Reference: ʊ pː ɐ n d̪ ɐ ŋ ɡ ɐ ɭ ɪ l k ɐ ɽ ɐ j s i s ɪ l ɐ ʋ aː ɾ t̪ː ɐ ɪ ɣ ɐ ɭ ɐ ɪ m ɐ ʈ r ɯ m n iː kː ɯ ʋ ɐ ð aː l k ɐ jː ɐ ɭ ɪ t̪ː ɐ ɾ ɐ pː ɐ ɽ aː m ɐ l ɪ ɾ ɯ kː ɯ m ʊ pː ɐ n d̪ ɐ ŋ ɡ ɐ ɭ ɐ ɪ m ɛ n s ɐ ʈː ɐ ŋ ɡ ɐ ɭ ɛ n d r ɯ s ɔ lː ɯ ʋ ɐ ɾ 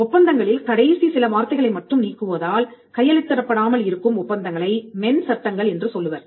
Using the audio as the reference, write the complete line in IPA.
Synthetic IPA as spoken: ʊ pː ɐ n d̪ ɐ ŋ ɡ ɐ ɭ ɪ l k ɐ ɽ ɐ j s i s ɪ l ɐ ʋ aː ɾ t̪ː ɐ ɪ ɣ ɐ ɭ ɐ ɪ m ɐ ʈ r ɯ m n iː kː ɯ ʋ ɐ ð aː l k ɐ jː ɐ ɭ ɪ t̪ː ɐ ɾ ɐ pː ɐ ɽ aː m ɐ l ɪ ɾ ɯ kː ɯ m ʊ pː ɐ n d̪ ɐ ŋ ɡ ɐ ɭ ɐ ɪ m ɛ n s ɐ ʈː ɐ ŋ ɡ ɐ ɭ ɛ n d r ɯ s ɔ lː ɯ ʋ ɐ ɾ